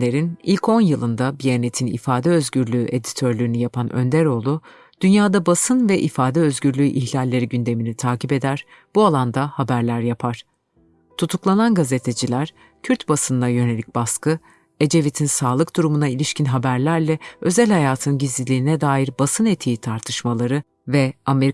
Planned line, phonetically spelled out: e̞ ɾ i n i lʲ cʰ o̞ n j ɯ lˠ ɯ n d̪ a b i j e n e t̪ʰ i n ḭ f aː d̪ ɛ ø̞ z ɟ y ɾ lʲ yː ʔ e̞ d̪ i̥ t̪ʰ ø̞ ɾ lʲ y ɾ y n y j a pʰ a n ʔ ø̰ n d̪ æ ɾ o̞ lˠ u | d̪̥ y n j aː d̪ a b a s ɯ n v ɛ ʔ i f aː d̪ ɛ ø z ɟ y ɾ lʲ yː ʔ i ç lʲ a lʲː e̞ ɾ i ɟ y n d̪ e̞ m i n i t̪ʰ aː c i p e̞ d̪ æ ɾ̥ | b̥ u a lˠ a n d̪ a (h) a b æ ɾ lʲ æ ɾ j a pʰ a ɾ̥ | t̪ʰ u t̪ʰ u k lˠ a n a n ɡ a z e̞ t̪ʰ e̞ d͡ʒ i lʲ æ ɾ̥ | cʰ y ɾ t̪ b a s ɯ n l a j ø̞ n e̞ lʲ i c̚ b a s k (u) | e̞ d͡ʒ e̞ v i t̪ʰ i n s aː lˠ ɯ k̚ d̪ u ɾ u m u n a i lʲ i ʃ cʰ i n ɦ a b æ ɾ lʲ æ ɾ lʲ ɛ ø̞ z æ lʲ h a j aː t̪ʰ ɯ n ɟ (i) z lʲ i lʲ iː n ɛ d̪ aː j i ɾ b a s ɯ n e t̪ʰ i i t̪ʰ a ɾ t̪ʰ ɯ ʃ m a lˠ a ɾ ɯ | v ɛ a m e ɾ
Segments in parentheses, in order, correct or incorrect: correct, incorrect: ɯ, correct

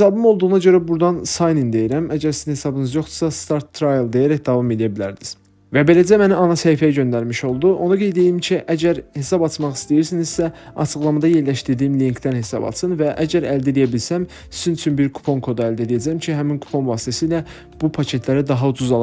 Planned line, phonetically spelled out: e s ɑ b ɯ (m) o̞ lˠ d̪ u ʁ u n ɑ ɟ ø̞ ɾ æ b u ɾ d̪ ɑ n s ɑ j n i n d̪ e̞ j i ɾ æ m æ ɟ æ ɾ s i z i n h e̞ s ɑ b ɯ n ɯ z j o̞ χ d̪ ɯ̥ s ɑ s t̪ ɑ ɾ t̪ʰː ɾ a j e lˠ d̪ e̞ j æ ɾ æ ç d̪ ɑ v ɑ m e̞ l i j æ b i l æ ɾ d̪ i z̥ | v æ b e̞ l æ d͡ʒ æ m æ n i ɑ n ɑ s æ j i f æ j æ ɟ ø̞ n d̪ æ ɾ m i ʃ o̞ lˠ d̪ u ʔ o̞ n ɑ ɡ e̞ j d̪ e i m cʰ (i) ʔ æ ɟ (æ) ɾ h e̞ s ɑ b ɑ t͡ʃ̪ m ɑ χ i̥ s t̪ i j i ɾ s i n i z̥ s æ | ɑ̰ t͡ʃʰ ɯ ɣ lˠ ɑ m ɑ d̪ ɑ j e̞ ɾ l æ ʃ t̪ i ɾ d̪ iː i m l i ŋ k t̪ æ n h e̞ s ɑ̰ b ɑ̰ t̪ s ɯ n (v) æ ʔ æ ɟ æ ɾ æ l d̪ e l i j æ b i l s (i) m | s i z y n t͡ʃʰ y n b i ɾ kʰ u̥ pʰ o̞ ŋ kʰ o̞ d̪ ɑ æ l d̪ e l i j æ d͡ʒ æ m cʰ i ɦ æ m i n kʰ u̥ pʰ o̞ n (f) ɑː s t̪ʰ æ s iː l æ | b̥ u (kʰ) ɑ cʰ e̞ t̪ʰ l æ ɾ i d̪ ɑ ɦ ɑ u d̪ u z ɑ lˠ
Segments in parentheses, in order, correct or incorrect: correct, correct, correct, correct, incorrect: æ, incorrect: v, incorrect: pʰ

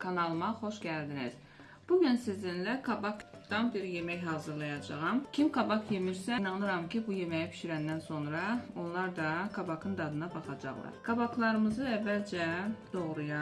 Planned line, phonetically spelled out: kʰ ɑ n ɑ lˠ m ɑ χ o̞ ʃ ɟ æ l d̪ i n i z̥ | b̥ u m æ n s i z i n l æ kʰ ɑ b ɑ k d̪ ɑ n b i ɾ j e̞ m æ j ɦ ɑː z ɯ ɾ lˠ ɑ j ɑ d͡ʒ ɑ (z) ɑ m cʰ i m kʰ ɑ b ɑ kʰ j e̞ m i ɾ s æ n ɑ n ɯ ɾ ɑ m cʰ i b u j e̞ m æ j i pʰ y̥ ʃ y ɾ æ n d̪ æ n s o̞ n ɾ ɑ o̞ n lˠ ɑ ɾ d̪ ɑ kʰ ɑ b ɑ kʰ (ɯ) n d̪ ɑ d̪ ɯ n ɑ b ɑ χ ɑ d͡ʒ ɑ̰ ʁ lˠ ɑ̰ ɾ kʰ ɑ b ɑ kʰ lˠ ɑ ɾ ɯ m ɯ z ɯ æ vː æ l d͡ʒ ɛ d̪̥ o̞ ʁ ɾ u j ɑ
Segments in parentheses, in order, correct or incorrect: incorrect: ʁ, correct

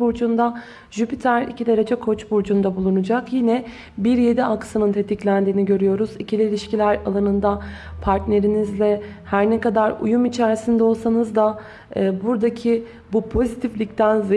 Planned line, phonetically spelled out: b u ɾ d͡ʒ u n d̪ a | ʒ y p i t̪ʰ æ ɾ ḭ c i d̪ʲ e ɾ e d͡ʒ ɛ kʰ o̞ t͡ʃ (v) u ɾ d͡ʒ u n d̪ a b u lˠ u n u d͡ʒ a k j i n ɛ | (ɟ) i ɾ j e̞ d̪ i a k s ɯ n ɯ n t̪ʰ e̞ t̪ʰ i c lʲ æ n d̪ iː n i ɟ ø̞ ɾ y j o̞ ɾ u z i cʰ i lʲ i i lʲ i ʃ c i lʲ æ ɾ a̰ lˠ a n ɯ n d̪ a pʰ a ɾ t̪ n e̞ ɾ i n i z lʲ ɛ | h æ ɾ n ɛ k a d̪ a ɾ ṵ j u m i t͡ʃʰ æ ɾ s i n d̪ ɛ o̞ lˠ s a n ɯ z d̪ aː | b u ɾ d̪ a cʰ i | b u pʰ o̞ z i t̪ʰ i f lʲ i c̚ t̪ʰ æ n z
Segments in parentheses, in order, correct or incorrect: incorrect: b, incorrect: b

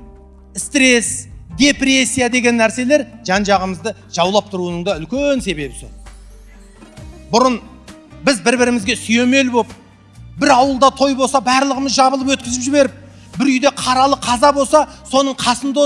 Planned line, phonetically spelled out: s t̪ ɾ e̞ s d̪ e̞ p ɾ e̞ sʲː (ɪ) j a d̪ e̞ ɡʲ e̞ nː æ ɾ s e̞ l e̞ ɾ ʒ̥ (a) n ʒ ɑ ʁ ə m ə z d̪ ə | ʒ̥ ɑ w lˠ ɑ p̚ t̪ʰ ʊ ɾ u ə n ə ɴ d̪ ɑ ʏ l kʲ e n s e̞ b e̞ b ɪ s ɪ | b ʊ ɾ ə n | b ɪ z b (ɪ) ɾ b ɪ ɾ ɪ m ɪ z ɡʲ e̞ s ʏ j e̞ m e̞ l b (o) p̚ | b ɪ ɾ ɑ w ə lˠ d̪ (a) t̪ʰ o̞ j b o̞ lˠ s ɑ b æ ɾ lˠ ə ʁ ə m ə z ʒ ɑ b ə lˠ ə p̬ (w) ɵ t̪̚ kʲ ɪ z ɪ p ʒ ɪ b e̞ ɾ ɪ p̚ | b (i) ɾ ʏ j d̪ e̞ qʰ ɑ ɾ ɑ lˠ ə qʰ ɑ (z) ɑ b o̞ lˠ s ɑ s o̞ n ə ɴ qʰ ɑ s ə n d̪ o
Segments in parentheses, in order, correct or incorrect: incorrect: i, incorrect: ɑ, correct, correct, incorrect: ɑ, correct, incorrect: ɪ, correct

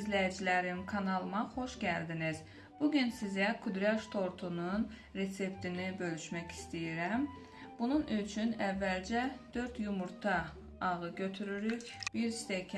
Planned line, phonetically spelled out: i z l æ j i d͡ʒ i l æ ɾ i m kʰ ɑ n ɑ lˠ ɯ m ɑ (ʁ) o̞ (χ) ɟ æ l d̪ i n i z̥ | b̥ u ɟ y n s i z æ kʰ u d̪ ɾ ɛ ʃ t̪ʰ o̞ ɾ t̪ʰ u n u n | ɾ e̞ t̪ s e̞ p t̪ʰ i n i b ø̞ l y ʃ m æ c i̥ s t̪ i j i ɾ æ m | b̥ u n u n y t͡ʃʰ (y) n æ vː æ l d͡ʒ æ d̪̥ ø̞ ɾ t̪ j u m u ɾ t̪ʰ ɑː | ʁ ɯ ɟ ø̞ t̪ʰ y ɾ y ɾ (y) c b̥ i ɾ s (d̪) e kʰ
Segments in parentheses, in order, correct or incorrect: incorrect: χ, incorrect: ʃ, correct, correct, incorrect: t̪

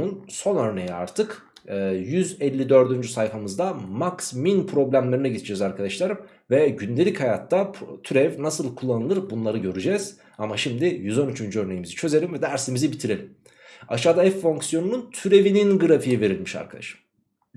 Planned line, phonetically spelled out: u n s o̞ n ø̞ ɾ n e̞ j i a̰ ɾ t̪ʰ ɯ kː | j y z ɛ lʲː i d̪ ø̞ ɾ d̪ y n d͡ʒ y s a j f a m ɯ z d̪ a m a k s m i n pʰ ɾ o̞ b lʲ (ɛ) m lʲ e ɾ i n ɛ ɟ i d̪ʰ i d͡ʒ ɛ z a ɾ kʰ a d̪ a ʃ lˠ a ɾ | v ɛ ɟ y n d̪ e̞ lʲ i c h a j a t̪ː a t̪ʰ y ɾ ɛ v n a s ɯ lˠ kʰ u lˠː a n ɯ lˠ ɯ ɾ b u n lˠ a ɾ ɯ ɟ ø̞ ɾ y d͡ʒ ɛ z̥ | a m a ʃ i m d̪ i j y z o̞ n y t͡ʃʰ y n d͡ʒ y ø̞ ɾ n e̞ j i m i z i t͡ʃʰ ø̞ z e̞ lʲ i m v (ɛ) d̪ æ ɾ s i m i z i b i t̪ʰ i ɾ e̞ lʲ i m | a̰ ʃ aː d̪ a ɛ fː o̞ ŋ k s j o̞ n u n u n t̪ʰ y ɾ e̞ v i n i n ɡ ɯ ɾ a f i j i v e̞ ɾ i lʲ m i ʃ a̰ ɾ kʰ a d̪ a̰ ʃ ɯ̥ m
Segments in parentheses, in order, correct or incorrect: incorrect: æ, correct

